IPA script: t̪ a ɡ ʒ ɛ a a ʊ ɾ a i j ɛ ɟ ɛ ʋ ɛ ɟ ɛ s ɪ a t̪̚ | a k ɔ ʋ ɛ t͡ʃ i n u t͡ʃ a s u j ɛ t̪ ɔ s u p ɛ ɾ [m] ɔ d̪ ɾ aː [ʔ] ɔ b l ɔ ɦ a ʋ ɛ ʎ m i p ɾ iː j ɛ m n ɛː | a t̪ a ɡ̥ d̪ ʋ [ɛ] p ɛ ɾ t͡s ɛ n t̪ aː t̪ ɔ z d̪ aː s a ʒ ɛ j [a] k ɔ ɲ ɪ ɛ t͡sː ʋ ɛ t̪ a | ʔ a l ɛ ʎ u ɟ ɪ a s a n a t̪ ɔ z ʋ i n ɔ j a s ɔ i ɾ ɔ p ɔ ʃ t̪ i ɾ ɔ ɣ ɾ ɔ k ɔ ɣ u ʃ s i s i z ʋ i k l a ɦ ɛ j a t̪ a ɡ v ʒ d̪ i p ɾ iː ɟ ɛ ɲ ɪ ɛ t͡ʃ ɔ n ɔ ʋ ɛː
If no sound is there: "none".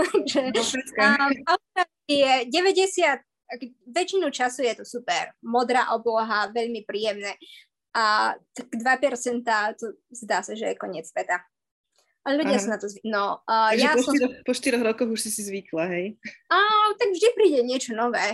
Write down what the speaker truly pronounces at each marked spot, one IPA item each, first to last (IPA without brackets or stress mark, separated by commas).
m, ʔ, a, ɛ